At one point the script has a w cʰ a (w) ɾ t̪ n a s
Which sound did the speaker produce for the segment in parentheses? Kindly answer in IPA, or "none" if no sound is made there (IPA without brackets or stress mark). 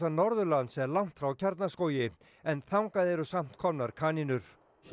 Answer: none